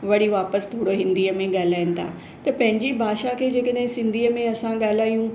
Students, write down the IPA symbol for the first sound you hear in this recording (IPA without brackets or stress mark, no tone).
ʋ